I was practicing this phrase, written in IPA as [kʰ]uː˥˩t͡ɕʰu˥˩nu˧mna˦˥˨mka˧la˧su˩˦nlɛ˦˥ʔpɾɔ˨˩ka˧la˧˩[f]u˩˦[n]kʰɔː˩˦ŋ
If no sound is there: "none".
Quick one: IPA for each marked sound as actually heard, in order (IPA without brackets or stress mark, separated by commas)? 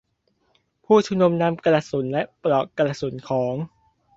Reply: pʰ, s, n